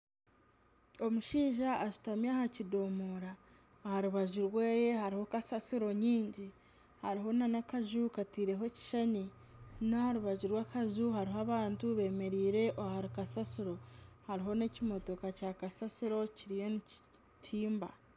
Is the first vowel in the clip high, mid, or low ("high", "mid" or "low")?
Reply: mid